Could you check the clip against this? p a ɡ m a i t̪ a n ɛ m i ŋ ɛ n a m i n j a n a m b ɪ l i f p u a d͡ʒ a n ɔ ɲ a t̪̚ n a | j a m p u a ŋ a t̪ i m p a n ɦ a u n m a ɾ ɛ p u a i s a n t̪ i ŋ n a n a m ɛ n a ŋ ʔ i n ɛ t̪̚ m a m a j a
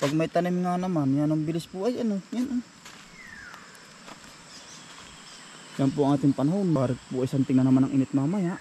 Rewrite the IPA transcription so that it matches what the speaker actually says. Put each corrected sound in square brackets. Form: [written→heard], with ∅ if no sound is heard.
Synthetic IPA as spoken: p a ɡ m a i t̪ a n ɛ m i ŋ [ɛ→a] n a m [i→a] n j a n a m b [ɪ→i] l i [f→s] p u a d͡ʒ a n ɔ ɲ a [t̪̚→∅] n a | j a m p u a ŋ a t̪ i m p a n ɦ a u n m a ɾ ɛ p u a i s a n t̪ i ŋ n a n a m [ɛ→a] n a ŋ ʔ i n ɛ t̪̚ m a m a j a

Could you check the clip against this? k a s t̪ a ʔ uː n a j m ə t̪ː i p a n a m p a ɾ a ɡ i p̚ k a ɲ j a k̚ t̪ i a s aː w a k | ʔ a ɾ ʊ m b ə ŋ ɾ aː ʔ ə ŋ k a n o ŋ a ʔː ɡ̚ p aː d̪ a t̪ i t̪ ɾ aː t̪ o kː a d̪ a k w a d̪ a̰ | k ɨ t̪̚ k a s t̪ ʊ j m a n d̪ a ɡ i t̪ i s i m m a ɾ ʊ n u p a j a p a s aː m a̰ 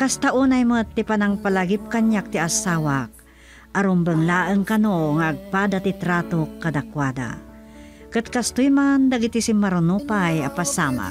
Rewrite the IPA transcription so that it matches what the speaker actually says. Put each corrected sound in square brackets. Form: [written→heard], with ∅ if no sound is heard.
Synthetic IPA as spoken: k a s t̪ a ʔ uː n a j m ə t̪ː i p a n a [m→ŋ] p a [ɾ→l] a ɡ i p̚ k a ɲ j a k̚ t̪ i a s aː w a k | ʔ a ɾ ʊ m b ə ŋ [ɾ→l] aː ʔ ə ŋ k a n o ŋ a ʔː ɡ̚ p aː d̪ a t̪ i t̪ ɾ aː t̪ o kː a d̪ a k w a d̪ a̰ | k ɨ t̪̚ k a s t̪ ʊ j m a n d̪ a ɡ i t̪ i s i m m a ɾ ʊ n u p a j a p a s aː m a̰

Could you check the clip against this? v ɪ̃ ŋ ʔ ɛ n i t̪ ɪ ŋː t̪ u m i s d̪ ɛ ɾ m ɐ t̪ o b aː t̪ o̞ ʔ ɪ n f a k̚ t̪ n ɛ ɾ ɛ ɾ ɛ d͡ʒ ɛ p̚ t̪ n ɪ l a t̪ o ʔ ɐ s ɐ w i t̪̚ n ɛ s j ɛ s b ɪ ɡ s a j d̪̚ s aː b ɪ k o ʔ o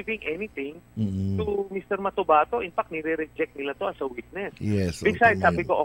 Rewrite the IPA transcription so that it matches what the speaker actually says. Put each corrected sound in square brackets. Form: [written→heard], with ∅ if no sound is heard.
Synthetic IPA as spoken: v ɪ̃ ŋ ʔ ɛ n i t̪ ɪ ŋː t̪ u m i s [d̪→t̪] ɛ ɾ m ɐ t̪ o b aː t̪ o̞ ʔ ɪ n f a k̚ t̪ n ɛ ɾ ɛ ɾ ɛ d͡ʒ ɛ [p̚→k̚] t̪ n ɪ l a t̪ o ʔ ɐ s ɐ w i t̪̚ n ɛ s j ɛ s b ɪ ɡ s a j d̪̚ s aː b ɪ k o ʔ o

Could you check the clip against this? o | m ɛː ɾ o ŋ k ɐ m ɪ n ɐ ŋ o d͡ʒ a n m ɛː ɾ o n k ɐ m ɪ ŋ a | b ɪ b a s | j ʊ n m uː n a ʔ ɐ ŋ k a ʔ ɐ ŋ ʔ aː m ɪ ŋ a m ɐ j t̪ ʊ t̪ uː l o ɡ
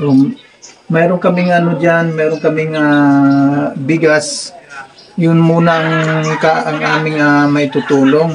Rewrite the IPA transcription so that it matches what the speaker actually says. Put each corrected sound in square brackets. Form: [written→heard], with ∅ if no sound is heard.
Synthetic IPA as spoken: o | m ɛː ɾ o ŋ k ɐ m ɪ [n→ŋ] ɐ [ŋ→n] o d͡ʒ a n m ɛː ɾ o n k ɐ m ɪ ŋ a | b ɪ [b→ɡ] a s | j ʊ n m uː n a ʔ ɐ ŋ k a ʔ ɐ ŋ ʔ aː m ɪ ŋ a m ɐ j t̪ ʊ t̪ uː l o [ɡ→ŋ]

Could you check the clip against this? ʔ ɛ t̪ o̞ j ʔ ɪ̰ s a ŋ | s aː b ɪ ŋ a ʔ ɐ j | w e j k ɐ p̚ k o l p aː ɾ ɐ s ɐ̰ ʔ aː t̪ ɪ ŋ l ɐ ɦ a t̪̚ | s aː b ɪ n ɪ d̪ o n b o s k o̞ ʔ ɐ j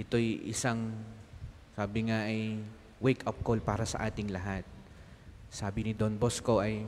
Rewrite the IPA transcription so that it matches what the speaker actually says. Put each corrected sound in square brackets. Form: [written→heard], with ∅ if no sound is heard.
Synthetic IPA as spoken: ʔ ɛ t̪ o̞ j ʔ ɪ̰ s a ŋ | s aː b ɪ ŋ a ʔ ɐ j | w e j k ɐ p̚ k o l p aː ɾ ɐ s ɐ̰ ʔ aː t̪ ɪ ŋ l ɐ ɦ a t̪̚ | s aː b ɪ n ɪ d̪ o n b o s k o̞ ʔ ɐ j

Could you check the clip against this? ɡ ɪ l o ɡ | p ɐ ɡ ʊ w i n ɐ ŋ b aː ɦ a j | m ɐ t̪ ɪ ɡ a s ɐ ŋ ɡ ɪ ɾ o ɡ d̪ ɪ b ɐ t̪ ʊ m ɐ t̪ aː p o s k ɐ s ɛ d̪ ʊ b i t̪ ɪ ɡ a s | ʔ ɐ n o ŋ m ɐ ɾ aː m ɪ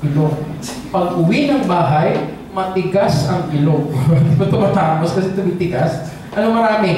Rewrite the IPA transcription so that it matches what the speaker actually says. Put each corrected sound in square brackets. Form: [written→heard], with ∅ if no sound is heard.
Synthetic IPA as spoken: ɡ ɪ l o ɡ | p ɐ ɡ ʊ w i n ɐ ŋ b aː ɦ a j | m ɐ t̪ ɪ ɡ a s ɐ ŋ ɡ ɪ [ɾ→l] o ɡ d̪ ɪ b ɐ t̪ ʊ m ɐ t̪ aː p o s k ɐ s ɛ [d̪→t̪] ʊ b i t̪ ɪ ɡ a s | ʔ ɐ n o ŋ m ɐ ɾ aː m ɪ

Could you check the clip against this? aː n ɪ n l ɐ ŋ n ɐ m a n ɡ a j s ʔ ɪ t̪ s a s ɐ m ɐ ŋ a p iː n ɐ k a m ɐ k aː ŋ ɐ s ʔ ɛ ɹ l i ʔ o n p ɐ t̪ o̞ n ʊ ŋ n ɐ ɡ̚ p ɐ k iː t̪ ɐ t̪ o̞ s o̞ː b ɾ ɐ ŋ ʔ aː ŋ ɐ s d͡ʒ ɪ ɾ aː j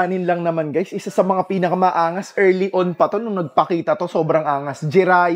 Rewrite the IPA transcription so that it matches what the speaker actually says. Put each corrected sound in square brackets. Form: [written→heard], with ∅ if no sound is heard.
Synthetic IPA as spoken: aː n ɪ n l ɐ ŋ n ɐ m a n ɡ a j s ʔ ɪ [t̪→∅] s a s ɐ m ɐ ŋ a p iː n ɐ k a m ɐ [k→ʔ] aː ŋ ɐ s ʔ ɛ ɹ l i ʔ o n p ɐ t̪ o̞ n ʊ ŋ n ɐ ɡ̚ p ɐ k iː t̪ ɐ t̪ o̞ s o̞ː b ɾ ɐ ŋ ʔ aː ŋ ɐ s d͡ʒ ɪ ɾ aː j

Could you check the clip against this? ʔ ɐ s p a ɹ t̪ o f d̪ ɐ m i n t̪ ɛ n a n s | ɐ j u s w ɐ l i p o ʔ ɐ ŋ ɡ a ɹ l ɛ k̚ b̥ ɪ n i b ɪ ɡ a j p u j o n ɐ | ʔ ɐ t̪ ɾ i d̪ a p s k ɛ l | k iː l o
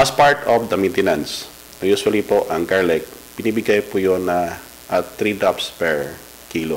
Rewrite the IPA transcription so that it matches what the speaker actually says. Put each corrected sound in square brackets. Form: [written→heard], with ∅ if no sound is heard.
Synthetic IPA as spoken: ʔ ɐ s p a ɹ t̪ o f d̪ ɐ m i n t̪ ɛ n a n s | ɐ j u s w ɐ l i p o ʔ ɐ ŋ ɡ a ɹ l ɛ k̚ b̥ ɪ n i b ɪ ɡ a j p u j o n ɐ | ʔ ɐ t̪ ɾ i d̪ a p s [k→p] ɛ [l→ɹ] | k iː l o

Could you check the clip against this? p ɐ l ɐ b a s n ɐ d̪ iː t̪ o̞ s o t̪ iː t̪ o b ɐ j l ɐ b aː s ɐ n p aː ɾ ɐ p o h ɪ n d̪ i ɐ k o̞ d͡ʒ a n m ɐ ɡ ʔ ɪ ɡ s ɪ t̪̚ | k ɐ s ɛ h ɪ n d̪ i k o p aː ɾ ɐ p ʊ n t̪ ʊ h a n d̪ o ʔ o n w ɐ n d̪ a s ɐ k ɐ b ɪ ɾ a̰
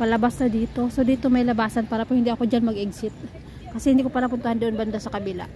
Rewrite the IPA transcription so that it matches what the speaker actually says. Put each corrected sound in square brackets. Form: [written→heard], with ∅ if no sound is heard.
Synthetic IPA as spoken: p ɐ l ɐ b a s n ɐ d̪ iː t̪ o̞ s o [t̪→d̪] iː t̪ o [b→m] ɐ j l ɐ b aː s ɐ n p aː ɾ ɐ p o h ɪ n d̪ i ɐ k o̞ d͡ʒ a n m ɐ ɡ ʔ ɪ ɡ s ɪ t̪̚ | k ɐ s ɛ h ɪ n d̪ i k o p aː ɾ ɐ p ʊ n t̪ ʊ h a n d̪ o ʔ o n [w→b] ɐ n d̪ a s ɐ k ɐ b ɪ [ɾ→l] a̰

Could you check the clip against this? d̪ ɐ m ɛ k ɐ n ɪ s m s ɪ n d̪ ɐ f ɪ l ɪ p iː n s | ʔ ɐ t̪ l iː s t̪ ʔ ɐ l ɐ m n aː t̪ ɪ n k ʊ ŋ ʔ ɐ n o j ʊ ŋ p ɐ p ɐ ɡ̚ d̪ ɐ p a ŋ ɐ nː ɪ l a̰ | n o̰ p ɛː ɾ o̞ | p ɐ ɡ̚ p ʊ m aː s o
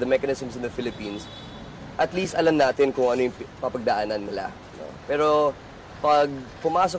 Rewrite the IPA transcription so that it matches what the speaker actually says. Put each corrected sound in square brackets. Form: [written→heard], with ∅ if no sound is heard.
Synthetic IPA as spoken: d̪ ɐ m ɛ k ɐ n ɪ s m s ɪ n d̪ ɐ f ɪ l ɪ p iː n s | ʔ ɐ t̪ l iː s t̪ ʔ ɐ l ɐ m n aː t̪ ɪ n k ʊ ŋ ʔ ɐ n o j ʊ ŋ p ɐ p ɐ ɡ̚ d̪ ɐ [p→ʔ] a [ŋ→n] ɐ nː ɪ l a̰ | n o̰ p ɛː ɾ o̞ | p ɐ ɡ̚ p ʊ m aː s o

